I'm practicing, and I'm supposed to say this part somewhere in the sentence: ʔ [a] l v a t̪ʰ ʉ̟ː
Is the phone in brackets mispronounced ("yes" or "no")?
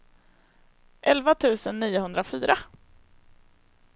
yes